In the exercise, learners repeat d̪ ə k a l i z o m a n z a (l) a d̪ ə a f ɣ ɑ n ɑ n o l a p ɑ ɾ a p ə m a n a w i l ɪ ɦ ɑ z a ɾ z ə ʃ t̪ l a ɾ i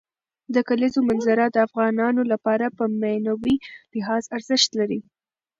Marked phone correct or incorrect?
incorrect